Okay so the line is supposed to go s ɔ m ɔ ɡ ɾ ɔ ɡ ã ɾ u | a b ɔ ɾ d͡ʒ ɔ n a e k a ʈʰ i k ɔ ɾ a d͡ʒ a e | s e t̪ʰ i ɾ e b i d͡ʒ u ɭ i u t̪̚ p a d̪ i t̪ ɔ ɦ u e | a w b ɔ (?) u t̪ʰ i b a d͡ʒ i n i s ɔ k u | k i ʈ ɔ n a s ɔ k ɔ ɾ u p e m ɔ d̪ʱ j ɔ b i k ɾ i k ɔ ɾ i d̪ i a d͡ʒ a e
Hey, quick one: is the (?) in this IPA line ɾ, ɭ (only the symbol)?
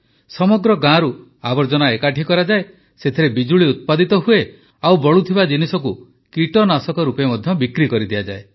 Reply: ɭ